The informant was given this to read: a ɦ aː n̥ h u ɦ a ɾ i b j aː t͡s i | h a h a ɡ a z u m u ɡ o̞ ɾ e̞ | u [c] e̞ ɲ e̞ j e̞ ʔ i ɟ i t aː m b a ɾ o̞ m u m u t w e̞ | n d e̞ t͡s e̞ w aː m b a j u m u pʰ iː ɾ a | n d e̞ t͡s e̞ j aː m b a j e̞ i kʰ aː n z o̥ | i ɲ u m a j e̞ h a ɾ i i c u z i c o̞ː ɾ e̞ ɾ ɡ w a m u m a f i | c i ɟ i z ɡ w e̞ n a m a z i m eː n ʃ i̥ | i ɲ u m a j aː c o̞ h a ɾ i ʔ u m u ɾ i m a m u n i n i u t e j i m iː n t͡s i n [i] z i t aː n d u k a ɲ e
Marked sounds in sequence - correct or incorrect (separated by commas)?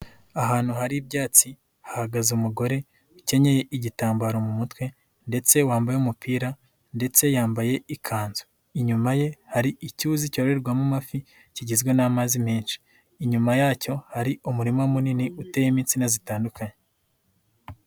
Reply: correct, incorrect